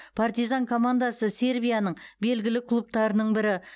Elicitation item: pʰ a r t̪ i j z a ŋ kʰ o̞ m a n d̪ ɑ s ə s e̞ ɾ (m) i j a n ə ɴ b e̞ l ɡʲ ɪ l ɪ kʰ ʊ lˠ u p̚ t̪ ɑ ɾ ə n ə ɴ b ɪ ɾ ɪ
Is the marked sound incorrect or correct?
incorrect